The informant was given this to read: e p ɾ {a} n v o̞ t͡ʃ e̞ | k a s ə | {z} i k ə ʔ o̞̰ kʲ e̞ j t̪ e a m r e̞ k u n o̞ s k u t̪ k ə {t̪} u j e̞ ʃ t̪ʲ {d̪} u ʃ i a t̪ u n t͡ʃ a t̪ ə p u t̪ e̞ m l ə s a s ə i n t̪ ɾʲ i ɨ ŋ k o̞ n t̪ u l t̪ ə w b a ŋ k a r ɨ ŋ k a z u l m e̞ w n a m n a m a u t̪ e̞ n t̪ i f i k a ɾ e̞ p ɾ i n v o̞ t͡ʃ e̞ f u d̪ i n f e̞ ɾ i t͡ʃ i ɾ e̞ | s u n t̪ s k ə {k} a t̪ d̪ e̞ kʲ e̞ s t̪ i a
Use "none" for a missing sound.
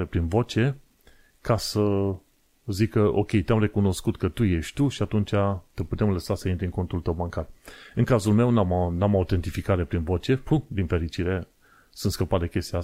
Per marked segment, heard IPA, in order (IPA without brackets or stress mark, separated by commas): i, z, t̪, t̪, p